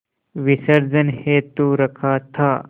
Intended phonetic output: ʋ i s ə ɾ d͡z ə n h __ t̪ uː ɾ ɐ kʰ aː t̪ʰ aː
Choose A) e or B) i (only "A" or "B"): A